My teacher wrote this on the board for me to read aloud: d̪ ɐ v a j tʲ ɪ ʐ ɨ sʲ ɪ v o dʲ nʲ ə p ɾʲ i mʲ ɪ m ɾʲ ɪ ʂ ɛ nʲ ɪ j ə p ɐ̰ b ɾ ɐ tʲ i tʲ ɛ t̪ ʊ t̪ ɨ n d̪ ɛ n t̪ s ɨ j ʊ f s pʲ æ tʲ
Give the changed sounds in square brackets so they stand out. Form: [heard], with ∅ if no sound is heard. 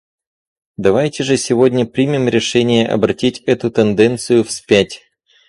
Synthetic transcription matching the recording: d̪ ɐ v a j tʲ ɪ ʐ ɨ sʲ ɪ v o dʲ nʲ ə p ɾʲ i mʲ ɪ m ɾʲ ɪ ʂ ɛ nʲ ɪ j ə [ʔ] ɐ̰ b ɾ ɐ tʲ i tʲ ɛ t̪ ʊ t̪ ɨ n d̪ ɛ n t̪ s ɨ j ʊ f s pʲ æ tʲ